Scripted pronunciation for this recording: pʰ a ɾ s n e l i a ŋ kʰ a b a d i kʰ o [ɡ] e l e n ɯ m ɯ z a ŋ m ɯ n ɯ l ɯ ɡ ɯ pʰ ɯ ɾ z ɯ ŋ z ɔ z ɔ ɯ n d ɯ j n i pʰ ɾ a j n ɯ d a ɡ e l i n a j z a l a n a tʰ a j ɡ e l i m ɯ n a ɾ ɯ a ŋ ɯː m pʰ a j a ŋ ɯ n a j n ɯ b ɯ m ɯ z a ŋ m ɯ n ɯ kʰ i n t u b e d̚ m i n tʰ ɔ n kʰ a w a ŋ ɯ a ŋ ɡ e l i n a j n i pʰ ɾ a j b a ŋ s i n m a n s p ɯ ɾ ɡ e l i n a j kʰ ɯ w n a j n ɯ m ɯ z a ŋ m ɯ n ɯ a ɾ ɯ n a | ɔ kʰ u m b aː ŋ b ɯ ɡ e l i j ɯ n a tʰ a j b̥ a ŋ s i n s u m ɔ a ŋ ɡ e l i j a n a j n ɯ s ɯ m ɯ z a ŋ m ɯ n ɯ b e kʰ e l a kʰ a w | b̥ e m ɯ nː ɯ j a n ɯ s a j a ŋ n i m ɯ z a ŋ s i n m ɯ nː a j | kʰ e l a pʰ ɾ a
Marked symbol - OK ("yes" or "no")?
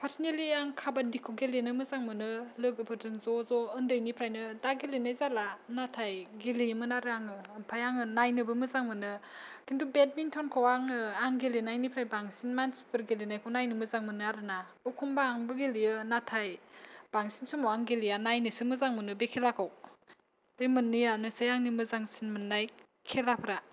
yes